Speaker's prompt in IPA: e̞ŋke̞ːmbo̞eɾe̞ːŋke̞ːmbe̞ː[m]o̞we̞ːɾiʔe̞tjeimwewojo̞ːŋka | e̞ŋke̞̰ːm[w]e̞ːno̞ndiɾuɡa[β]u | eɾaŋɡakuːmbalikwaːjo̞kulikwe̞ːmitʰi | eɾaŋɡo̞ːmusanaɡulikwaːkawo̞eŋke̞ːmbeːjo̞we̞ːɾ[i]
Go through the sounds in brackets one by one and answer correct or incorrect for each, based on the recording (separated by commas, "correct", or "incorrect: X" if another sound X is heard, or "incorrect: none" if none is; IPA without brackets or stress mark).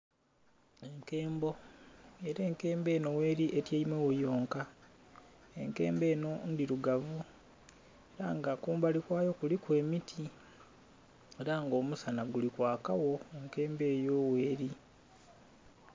incorrect: n, incorrect: b, incorrect: v, correct